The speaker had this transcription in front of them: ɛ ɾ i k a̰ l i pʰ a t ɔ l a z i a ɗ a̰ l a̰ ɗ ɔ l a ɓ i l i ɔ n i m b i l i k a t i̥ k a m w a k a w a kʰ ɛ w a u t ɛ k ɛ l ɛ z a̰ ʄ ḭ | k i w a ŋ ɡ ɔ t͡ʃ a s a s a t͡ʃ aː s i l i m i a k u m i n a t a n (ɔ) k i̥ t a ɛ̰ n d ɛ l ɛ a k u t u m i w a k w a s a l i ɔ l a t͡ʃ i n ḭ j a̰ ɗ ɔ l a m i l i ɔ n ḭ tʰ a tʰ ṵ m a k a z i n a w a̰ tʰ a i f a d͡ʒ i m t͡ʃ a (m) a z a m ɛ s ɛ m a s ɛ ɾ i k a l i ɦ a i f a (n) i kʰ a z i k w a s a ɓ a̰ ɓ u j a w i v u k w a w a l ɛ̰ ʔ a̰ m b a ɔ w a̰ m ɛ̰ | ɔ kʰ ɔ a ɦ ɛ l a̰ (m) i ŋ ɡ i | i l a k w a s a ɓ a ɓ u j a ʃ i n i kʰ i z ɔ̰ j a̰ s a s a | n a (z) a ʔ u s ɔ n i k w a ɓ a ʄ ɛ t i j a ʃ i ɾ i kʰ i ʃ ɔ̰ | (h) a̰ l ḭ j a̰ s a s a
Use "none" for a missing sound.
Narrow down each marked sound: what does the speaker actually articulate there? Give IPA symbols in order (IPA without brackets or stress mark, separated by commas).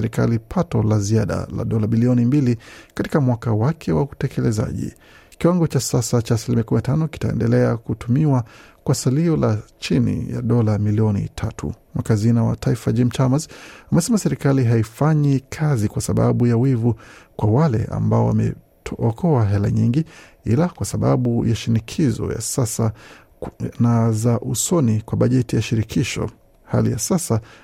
ɔ, m, ɲ, ɲ, z, h